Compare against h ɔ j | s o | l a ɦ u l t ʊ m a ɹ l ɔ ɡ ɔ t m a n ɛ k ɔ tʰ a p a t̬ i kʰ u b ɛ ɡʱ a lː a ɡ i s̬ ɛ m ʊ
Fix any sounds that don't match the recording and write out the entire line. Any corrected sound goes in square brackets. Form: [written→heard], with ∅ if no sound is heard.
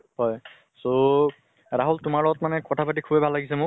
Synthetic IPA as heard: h ɔ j | s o | [l→ɹ] a ɦ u l t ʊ m a ɹ l ɔ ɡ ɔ t m a n ɛ k ɔ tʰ a p a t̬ i kʰ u b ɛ [ɡʱ→bʱ] a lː a ɡ i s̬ ɛ m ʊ